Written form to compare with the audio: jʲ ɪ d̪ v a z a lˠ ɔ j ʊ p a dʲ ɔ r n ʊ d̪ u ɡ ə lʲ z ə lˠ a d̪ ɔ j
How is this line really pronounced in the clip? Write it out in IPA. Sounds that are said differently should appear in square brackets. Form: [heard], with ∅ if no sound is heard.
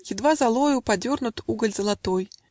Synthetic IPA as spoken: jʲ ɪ d̪ v a z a lˠ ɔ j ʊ p a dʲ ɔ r n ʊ [t̪] u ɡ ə lʲ z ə lˠ a [t̪] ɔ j